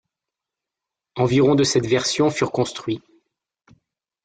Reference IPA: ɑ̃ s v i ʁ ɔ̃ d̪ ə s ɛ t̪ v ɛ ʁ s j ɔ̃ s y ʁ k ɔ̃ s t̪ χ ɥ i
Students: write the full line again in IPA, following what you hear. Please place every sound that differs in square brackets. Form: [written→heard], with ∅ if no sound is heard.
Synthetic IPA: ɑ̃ [s→∅] v i ʁ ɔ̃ d̪ ə s ɛ t̪ v ɛ ʁ s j ɔ̃ [s→f] y ʁ k ɔ̃ s t̪ χ ɥ i

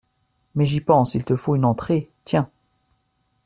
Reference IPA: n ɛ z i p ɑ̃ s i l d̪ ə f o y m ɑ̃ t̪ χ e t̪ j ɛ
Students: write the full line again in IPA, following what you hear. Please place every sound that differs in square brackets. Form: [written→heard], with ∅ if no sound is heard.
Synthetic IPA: [n→m] ɛ [z→ʒ] i p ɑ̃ s i l [d̪→t̪] ə f o y [m→n] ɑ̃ t̪ χ e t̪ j [ɛ→ɛ̃]

